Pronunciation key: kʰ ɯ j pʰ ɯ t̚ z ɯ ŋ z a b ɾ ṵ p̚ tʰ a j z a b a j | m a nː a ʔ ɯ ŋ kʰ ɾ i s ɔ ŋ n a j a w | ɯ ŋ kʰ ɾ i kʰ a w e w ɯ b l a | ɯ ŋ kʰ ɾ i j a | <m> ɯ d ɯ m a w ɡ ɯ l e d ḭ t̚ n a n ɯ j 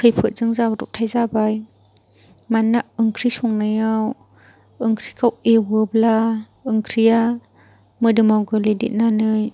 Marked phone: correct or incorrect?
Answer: correct